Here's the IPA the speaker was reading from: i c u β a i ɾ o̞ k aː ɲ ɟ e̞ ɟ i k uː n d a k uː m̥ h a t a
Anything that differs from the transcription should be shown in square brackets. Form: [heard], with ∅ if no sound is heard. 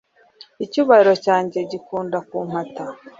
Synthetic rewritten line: i c u β a i ɾ o̞ [c] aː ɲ ɟ e̞ ɟ i k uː n d a k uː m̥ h a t a